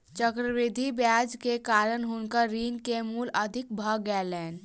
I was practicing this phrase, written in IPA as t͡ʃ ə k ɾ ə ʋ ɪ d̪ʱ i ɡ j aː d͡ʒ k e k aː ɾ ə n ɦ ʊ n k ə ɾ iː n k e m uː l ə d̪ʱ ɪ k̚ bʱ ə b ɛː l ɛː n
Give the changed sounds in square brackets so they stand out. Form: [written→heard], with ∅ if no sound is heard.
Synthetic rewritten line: t͡ʃ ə k ɾ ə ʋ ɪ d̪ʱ i [ɡ→b] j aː d͡ʒ k e k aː ɾ ə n ɦ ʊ n k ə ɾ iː n k e m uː l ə d̪ʱ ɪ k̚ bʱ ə [b→ɡ] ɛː l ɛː n